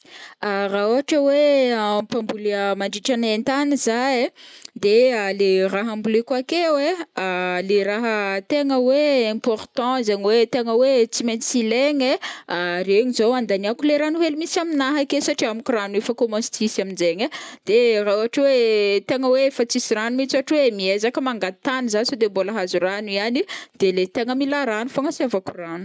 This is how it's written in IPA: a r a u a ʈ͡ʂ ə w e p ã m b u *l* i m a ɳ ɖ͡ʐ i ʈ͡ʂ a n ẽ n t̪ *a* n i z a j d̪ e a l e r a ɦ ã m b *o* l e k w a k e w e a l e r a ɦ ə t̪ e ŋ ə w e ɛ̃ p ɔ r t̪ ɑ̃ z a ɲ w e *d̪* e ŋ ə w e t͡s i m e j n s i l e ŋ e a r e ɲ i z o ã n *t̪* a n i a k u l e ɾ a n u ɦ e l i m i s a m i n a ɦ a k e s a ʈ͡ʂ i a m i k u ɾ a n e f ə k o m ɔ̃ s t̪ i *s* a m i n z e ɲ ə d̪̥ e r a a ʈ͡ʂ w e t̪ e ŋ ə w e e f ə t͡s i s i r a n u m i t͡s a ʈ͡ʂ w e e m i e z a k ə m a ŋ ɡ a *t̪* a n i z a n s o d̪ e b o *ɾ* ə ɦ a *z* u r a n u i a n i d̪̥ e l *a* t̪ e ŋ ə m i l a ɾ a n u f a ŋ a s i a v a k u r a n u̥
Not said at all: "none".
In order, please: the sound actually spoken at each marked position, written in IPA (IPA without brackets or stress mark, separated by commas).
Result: l, a, u, t̪, d̪, s, t̪, l, z, e